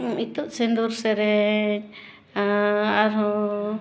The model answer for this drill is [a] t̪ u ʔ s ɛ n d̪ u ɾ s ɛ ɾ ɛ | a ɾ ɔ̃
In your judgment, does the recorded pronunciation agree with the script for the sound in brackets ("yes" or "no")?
no